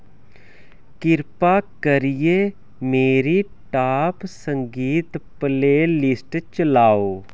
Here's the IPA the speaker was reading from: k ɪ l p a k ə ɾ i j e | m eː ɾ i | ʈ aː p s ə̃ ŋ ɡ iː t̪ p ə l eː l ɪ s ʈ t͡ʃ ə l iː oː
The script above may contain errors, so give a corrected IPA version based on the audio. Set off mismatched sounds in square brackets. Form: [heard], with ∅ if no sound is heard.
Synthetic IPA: k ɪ [ɾ] p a k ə ɾ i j e | m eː ɾ i | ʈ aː p s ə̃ ŋ ɡ iː t̪ p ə l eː l ɪ s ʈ t͡ʃ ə l [aː] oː